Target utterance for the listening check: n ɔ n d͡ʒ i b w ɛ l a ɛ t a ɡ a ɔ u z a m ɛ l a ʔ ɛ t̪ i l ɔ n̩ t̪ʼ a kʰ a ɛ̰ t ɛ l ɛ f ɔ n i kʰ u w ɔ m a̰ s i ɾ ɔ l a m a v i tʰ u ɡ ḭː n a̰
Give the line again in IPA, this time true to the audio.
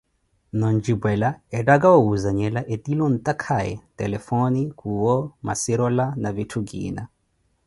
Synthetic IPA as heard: n ɔ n d͡ʒ i b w ɛ l a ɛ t a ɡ a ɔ u z a ɲ ɛ l a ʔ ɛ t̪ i l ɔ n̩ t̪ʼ a kʰ a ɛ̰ t ɛ l ɛ f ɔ n i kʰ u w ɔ m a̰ s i ɾ ɔ l a n a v i tʰ u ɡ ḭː n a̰